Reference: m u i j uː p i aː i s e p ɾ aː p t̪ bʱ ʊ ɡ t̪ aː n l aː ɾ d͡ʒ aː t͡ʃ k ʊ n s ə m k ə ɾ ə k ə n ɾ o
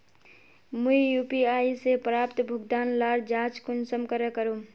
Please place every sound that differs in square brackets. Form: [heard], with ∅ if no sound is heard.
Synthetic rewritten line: m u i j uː p i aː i s e p ɾ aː p t̪ bʱ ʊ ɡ [d̪] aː n l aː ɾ d͡ʒ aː t͡ʃ k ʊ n s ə m k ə ɾ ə k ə [∅] ɾ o